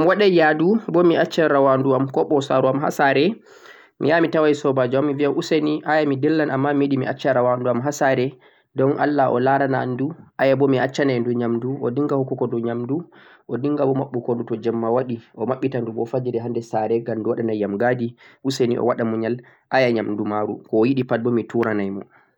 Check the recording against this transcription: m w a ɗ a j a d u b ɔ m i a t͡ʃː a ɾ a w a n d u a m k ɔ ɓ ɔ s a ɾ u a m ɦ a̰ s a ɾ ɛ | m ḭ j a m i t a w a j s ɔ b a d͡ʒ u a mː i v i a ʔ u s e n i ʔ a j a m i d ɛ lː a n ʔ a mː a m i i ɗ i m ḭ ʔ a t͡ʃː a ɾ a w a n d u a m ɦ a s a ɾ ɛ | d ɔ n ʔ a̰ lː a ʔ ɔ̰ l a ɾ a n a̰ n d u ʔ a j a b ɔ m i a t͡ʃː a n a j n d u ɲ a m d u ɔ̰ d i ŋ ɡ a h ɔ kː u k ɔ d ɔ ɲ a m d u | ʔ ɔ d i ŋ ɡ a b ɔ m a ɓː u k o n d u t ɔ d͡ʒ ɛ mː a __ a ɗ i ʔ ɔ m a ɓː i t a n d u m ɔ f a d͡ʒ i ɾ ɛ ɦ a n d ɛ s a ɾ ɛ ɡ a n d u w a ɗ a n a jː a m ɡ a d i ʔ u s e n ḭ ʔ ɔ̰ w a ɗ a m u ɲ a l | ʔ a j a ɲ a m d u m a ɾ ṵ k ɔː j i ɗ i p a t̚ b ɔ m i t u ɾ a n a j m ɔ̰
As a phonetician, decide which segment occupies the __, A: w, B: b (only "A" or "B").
A